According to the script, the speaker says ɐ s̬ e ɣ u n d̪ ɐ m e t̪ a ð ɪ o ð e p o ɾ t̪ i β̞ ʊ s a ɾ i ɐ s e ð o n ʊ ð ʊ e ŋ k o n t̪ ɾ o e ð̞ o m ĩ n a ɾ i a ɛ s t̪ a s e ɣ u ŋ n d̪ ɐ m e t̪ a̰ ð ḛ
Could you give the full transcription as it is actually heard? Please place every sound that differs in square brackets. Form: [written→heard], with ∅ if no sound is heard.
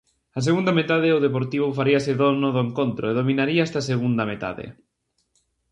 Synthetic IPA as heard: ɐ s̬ e ɣ u n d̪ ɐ m e t̪ a ð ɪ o ð e p o ɾ t̪ i β̞ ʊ [s→f] a ɾ i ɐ s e ð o n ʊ ð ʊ e ŋ k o n t̪ ɾ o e ð̞ o m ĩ n a ɾ i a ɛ s t̪ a s e ɣ u [ŋ→∅] n d̪ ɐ m e t̪ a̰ ð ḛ